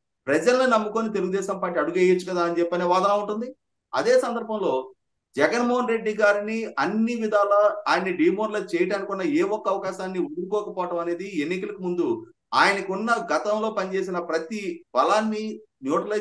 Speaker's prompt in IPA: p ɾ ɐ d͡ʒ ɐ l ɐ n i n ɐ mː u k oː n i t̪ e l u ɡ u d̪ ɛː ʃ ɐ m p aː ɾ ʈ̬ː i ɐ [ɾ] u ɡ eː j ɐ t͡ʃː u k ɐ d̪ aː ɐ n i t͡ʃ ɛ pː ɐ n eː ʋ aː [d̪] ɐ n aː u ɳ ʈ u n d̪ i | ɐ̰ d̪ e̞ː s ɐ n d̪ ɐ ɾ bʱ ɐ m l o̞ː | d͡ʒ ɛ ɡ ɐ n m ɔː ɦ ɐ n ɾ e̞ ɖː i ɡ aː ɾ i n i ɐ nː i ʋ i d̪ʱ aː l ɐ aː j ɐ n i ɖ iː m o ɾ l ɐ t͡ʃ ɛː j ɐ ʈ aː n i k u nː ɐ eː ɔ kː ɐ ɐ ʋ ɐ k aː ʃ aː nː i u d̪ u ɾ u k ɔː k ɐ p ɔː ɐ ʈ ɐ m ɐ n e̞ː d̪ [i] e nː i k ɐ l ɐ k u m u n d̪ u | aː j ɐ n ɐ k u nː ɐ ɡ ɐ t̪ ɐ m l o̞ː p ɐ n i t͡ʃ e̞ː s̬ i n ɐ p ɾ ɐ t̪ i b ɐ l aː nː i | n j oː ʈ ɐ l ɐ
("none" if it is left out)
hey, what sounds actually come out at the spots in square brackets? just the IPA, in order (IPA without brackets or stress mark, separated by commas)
ɽ, d̪, i